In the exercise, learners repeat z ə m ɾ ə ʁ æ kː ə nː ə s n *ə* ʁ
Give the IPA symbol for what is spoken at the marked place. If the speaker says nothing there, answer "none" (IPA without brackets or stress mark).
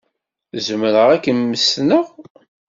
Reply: ə